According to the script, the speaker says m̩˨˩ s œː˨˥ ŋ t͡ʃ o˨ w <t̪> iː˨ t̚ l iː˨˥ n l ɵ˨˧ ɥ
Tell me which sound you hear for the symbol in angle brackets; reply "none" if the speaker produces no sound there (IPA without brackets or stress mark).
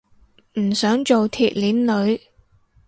t̪ʰ